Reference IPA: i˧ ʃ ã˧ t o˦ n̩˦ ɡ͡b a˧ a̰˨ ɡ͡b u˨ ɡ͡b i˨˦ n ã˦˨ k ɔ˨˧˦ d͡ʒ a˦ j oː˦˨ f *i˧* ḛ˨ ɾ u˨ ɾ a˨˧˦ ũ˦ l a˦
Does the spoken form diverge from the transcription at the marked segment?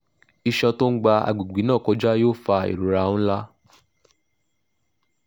yes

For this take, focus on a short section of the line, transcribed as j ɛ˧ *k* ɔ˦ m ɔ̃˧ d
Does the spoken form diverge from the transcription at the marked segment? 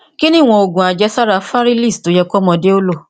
no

